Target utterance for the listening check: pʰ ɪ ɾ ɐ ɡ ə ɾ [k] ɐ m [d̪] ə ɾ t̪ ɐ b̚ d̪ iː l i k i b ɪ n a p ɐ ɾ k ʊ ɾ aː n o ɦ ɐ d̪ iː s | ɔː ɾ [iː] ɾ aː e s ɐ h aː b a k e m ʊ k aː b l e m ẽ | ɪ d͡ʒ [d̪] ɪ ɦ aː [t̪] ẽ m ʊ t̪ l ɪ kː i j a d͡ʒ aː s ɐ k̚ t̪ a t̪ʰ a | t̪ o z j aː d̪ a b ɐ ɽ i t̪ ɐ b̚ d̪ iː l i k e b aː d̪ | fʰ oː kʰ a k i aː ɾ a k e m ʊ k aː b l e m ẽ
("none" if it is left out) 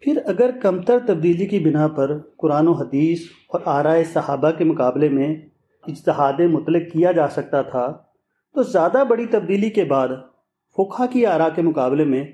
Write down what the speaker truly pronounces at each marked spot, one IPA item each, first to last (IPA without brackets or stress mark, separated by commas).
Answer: k, t̪, aː, t̪, d̪